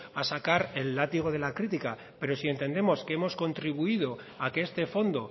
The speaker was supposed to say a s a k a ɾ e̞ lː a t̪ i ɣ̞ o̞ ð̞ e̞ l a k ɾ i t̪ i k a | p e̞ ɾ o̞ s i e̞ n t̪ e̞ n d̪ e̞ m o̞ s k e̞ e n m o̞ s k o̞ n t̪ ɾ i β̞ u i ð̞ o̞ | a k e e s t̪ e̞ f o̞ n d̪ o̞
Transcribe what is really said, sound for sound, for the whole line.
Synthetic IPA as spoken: a s a k a ɾ e̞ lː a t̪ i ɣ̞ o̞ ð̞ e̞ l a k ɾ i t̪ i k a | p e̞ ɾ o̞ s i e̞ n t̪ e̞ n d̪ e̞ m o̞ s k e̞ e m o̞ s k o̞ n t̪ ɾ i β̞ u i ð̞ o̞ | a k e e s t̪ e̞ f o̞ n d̪ o̞